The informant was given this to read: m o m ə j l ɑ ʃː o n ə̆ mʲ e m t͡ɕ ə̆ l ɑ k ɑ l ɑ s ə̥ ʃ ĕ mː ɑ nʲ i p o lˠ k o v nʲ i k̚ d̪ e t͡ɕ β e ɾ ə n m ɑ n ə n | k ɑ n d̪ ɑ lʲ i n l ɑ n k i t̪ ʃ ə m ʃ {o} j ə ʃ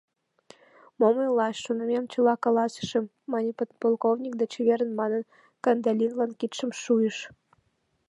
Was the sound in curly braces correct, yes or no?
no